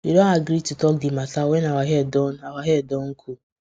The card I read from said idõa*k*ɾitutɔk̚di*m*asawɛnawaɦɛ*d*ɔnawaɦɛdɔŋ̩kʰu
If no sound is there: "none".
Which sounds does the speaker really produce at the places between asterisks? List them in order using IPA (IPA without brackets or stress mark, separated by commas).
ɡ, m, d